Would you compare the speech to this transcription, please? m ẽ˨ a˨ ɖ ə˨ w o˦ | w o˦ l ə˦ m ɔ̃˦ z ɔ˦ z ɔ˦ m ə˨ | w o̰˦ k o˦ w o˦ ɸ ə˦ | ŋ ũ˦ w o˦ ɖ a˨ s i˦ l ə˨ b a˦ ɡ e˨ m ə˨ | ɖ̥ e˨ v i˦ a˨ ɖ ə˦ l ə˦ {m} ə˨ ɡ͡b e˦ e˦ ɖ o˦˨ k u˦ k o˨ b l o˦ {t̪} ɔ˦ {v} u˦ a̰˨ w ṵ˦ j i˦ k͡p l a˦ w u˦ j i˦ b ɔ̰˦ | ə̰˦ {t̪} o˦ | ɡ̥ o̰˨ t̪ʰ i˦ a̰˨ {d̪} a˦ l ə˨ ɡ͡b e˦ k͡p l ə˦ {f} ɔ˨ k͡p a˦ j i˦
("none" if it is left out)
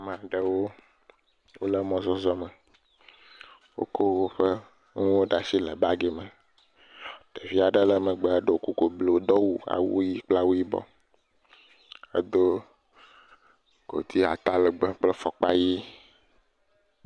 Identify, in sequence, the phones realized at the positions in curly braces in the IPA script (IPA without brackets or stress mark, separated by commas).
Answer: m, d̪, w, d̪, t̪, f